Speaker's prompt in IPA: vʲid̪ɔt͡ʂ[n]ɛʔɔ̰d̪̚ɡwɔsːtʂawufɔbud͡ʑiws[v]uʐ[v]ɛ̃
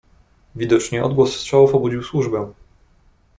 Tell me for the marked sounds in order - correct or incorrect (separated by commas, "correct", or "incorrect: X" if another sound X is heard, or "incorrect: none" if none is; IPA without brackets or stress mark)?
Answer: incorrect: ɲ, incorrect: w, incorrect: b